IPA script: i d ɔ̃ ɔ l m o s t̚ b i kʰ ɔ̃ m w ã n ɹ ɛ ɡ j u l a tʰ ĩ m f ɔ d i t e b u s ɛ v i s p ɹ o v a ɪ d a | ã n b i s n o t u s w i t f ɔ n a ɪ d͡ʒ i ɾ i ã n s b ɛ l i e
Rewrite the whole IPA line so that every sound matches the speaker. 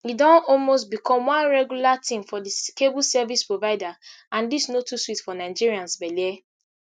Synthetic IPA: i d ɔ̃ ɔ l m o s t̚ b i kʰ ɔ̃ m w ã n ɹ ɛ ɡ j u l a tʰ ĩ m f ɔ d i k e b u s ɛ v i s p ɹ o v a ɪ d a | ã n d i s n o t u s w i t f ɔ n a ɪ d͡ʒ i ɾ i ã n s b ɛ l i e